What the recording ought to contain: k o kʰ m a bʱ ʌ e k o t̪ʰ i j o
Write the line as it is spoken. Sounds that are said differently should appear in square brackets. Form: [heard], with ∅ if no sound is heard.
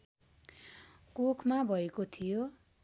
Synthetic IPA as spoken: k o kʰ m a bʱ ʌ e k o t̪ʰ i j o